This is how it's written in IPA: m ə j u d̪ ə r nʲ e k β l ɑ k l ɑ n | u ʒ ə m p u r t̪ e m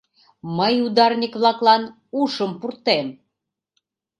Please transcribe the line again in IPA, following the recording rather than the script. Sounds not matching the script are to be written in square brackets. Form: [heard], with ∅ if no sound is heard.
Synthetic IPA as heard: m ə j u d̪ [ɑ] r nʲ [i] k β l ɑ k l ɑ n | u [ʃ] ə m p u r t̪ e m